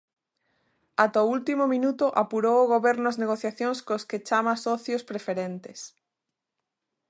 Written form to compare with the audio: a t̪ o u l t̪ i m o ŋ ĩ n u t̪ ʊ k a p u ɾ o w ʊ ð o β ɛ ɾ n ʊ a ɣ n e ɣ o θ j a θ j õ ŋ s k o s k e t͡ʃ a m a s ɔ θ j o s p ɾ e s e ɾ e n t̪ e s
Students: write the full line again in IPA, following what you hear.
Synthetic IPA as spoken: a t̪ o u l t̪ i m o m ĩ n u t̪ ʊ ʔ a p u ɾ o w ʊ ɣ o β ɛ ɾ n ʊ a z n e ɣ o θ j a θ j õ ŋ s k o s k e t͡ʃ a m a s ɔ θ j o s p ɾ e f e ɾ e n t̪ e s